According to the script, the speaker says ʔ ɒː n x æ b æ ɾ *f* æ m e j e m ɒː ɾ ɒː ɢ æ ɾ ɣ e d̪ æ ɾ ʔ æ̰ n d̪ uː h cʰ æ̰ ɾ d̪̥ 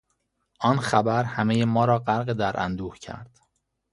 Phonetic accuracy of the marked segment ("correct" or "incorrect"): incorrect